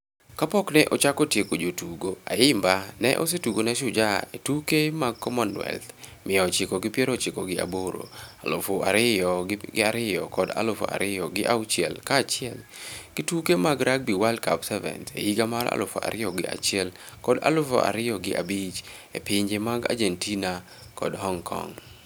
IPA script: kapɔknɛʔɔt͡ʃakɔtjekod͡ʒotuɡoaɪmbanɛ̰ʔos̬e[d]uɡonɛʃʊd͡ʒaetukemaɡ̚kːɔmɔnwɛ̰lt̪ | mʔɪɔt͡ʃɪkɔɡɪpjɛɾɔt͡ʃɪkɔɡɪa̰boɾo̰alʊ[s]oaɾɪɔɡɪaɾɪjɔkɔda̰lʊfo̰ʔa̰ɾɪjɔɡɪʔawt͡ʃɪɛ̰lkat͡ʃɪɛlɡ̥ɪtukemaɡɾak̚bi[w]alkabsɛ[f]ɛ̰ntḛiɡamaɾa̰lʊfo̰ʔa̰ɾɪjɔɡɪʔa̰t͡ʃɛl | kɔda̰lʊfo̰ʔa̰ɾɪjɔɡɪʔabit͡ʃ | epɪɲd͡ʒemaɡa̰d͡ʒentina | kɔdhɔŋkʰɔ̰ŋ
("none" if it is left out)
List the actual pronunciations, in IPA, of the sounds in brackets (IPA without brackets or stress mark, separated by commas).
t, f, w, v